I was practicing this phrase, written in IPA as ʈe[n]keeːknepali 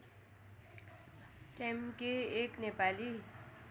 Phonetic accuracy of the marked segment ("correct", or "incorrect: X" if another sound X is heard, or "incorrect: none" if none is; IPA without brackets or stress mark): incorrect: m